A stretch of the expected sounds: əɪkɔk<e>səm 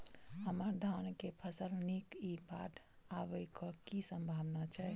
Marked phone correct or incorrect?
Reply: incorrect